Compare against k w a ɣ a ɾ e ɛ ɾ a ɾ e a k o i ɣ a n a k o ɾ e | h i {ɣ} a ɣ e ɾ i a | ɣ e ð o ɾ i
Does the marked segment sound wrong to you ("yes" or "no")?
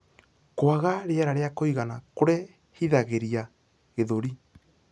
yes